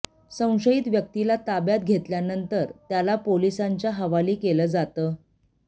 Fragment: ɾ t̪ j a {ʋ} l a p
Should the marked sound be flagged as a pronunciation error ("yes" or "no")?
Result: yes